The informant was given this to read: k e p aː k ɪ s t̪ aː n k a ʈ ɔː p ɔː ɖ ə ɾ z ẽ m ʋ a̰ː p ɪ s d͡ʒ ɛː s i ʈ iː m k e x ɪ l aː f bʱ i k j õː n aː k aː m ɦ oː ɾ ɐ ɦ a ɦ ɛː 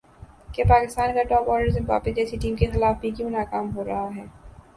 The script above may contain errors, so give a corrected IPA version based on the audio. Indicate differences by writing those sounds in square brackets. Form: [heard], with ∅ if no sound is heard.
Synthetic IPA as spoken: k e p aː k ɪ s t̪ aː n k a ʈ ɔː p ɔː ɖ ə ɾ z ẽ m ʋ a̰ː p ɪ s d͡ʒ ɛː s i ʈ iː m k e x ɪ l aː f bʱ i k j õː n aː k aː m ɦ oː ɾ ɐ ɦ a ɦ ɛː